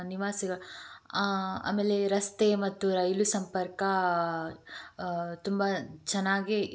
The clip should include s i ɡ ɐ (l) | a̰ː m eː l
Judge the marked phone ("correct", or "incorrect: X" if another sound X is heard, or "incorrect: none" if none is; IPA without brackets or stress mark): incorrect: ɭ